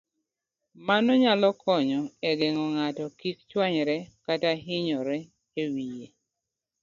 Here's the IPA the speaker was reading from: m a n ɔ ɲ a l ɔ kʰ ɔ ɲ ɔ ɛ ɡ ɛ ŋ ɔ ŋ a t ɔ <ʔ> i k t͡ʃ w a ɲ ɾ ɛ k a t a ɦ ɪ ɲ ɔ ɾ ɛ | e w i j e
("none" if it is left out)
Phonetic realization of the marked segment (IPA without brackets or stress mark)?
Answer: k